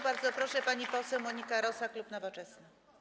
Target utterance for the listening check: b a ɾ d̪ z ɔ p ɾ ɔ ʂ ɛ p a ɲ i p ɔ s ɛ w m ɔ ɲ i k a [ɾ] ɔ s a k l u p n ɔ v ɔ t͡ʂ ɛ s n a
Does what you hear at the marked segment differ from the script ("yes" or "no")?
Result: no